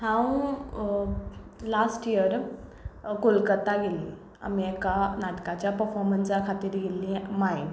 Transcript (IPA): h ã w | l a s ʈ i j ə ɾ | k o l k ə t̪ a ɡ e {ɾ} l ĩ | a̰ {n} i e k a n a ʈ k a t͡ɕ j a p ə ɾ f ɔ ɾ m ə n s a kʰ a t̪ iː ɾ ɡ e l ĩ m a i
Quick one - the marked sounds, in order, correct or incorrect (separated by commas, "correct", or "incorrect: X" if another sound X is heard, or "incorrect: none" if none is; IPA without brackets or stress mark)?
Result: incorrect: none, incorrect: m